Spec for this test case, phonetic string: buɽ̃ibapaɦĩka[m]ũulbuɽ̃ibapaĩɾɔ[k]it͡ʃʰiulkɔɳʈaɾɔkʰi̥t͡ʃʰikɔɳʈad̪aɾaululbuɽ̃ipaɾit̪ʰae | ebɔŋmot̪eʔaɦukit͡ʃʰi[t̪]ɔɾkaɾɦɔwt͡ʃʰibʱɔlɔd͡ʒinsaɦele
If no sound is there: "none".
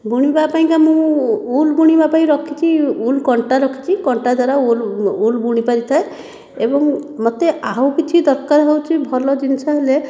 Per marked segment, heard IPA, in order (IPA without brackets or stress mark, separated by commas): m, kʰ, d̪